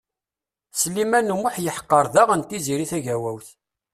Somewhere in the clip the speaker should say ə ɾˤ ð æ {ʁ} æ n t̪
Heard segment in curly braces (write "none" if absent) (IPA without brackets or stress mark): ʁ